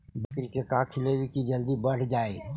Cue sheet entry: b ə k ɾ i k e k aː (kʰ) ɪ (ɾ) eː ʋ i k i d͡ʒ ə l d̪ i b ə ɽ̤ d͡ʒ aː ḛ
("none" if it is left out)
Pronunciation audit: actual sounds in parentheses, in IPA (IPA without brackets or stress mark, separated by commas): kʰ, l